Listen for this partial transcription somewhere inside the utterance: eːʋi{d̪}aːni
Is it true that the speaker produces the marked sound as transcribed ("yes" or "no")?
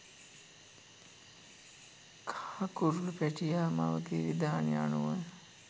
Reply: yes